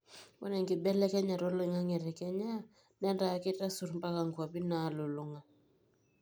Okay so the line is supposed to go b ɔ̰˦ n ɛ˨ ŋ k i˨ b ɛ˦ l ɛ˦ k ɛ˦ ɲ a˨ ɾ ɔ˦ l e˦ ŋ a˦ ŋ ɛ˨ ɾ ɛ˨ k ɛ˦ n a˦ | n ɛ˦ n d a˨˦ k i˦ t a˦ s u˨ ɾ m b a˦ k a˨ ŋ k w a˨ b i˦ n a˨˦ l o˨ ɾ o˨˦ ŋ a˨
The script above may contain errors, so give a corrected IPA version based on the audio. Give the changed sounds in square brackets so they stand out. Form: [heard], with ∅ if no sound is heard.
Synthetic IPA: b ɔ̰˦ n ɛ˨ ŋ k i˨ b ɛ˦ l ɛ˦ k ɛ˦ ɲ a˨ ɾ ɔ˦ l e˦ ŋ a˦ ŋ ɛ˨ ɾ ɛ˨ k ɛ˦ [ɲ] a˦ | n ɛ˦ n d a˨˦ k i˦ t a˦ s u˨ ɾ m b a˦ k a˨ ŋ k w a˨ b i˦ n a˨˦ l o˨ [l] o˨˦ ŋ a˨